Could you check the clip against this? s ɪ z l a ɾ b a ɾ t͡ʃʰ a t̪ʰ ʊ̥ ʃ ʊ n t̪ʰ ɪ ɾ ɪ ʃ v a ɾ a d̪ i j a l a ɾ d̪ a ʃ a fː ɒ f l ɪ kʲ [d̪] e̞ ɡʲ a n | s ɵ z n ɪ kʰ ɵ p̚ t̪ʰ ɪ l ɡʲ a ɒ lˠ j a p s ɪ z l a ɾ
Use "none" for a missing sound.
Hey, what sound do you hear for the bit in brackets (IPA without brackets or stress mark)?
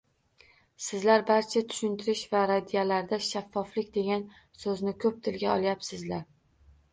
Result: d̪